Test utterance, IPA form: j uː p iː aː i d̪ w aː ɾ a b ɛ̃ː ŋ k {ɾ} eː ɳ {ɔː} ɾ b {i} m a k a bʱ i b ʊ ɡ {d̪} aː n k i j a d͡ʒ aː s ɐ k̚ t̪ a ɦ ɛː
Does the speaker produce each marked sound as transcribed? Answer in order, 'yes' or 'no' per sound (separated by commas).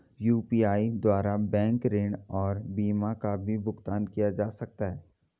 yes, yes, no, no